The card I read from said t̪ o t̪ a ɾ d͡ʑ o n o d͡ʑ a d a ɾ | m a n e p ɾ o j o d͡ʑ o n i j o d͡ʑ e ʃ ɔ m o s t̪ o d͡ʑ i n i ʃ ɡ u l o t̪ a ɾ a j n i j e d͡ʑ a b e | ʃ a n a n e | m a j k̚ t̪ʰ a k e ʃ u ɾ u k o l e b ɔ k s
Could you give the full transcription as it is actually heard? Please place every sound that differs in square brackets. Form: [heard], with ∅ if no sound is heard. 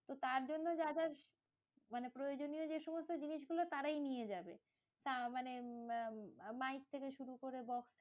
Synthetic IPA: t̪ o t̪ a ɾ d͡ʑ o [nː] o d͡ʑ a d a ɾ | m a n e p ɾ o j o d͡ʑ o n i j o d͡ʑ e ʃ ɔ m o s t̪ o d͡ʑ i n i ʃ ɡ u l o t̪ a ɾ a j n i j e d͡ʑ a b e | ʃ a [m] a n e | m a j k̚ t̪ʰ [e] k e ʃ u ɾ u k o [ɾ] e b ɔ k s